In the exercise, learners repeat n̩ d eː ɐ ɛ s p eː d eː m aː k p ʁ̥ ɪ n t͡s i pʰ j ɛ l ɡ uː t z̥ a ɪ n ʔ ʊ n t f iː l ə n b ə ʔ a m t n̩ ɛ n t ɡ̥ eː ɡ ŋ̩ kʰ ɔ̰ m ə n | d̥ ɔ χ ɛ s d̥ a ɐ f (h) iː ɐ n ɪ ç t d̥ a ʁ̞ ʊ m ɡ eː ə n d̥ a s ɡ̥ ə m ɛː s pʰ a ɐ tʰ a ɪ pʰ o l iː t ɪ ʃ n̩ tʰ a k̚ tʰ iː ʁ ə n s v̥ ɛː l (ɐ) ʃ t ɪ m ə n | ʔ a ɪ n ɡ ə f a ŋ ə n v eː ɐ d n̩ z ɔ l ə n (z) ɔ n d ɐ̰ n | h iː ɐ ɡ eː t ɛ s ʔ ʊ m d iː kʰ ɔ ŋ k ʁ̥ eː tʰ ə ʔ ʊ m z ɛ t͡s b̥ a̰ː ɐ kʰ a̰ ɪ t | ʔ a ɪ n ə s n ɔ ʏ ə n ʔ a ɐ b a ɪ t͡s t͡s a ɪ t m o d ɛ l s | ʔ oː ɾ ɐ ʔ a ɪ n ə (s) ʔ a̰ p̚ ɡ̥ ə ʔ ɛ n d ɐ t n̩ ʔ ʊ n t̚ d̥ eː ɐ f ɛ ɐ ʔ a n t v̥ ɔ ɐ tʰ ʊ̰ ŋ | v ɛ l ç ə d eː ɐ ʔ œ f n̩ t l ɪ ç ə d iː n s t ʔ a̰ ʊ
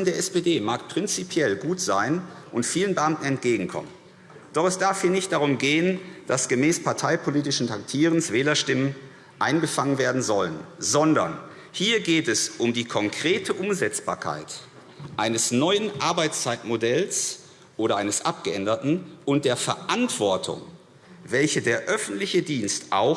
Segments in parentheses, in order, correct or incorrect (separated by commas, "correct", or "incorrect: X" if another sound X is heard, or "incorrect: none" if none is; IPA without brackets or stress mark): correct, correct, correct, correct